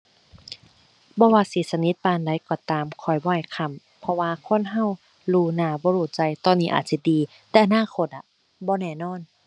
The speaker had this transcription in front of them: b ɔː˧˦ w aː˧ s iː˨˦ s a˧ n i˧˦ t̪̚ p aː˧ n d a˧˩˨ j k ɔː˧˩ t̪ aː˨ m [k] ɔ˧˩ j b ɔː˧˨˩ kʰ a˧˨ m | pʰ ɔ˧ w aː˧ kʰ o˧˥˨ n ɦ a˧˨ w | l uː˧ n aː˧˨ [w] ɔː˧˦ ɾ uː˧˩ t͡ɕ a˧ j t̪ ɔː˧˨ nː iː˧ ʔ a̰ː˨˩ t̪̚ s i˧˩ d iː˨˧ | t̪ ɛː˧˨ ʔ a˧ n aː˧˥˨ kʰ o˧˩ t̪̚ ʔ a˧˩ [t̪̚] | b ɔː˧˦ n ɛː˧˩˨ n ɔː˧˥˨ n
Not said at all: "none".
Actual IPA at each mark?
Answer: kʰ, b, none

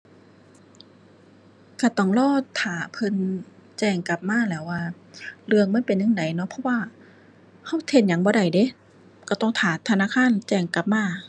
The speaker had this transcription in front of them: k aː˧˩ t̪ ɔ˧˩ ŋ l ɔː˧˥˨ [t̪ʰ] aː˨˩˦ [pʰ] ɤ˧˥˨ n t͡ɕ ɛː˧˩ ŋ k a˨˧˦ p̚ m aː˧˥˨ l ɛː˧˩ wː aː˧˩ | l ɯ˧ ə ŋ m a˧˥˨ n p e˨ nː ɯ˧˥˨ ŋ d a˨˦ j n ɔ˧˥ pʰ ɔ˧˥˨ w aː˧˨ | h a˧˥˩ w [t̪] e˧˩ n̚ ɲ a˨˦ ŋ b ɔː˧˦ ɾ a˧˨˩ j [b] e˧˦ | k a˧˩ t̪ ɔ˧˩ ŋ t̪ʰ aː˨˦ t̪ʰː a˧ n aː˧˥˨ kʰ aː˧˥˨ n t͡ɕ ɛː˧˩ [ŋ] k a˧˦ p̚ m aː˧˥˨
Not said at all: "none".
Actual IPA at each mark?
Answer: t̪ʰ, pʰ, t̪ʰ, d, ŋ

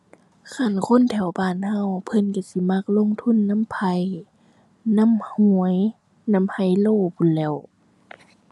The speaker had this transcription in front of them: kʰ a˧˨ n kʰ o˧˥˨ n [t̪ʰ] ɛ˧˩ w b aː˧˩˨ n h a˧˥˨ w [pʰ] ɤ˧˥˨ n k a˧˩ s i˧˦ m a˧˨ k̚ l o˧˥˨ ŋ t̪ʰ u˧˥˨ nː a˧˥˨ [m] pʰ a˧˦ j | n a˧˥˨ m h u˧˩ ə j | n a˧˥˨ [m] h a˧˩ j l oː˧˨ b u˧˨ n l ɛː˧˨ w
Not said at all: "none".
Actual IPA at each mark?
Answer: t̪ʰ, pʰ, m, m

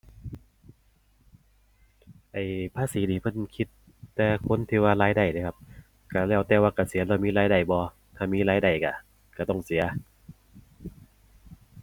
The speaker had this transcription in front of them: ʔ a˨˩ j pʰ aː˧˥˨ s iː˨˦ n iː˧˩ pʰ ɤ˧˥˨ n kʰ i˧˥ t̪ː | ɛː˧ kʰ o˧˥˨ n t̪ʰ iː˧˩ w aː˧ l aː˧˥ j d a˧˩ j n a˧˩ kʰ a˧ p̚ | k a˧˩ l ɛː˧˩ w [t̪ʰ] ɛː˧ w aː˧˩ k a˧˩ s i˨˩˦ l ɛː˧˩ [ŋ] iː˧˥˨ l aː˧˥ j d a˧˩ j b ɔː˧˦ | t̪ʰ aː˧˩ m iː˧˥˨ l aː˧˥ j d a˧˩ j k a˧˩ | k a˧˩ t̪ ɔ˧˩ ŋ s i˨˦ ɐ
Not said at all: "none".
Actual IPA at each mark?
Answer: t̪, m

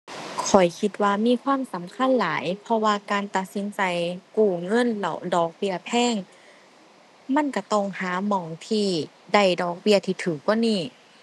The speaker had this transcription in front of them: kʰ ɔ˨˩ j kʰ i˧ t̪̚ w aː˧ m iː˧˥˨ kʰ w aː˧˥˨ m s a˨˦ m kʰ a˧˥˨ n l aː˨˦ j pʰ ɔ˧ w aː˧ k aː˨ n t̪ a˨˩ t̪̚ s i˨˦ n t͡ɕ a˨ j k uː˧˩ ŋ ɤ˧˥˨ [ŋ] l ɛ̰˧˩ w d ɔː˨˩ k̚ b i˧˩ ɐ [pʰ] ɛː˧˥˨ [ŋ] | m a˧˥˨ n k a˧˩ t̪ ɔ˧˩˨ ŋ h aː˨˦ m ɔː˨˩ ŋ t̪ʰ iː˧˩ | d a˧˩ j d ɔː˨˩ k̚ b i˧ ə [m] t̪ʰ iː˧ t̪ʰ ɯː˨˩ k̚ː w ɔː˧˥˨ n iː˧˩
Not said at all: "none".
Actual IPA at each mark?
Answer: n, pʰ, ŋ, none

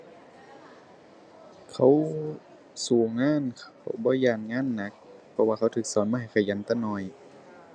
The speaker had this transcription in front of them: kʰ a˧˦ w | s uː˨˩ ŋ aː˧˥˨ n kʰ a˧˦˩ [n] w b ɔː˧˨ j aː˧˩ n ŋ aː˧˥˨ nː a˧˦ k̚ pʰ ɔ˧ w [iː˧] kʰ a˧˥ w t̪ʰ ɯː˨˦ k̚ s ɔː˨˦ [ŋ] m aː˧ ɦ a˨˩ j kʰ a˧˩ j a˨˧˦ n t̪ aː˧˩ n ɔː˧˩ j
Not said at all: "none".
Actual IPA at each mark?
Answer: none, aː˧, n

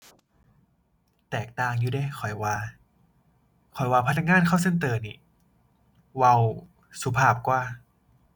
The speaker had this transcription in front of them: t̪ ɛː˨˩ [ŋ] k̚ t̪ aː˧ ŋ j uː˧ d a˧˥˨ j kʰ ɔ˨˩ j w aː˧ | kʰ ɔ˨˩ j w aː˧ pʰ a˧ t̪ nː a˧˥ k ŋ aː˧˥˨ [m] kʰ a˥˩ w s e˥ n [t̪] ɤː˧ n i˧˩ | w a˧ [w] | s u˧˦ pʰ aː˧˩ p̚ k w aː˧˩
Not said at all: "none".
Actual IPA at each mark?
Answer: none, n, t̪, w

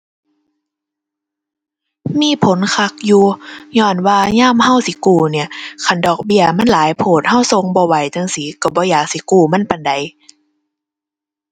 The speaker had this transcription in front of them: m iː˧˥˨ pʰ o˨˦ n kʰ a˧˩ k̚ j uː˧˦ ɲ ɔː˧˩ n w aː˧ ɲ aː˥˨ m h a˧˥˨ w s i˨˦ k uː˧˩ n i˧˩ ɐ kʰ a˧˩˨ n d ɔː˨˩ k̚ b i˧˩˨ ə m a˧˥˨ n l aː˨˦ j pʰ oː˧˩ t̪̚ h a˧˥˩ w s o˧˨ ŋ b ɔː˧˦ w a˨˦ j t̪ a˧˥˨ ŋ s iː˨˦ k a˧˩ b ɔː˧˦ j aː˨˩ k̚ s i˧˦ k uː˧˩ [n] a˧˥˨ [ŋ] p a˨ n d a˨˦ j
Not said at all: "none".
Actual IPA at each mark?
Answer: m, n

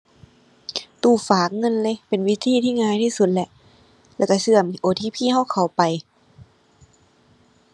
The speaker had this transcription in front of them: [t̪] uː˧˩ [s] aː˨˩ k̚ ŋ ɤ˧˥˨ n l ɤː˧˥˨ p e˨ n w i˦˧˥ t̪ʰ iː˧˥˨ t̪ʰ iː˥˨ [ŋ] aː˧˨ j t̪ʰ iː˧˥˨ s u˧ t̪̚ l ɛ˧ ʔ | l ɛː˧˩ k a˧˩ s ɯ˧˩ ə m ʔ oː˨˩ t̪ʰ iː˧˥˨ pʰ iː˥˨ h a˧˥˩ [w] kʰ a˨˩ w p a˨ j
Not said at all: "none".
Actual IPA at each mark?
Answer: t̪, f, ŋ, w

